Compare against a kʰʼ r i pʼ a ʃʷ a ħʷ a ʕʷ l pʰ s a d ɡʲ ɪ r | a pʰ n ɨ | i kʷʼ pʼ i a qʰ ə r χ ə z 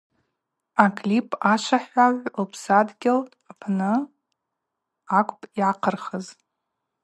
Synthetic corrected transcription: a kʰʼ l i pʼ a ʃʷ a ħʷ a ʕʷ l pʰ s a d ɡʲ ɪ l | a pʰ n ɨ | a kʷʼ pʼ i a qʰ ə r χ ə z